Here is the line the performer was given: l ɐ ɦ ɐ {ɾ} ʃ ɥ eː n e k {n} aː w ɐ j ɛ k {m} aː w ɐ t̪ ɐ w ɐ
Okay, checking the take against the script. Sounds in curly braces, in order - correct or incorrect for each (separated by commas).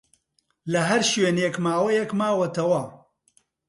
correct, incorrect, correct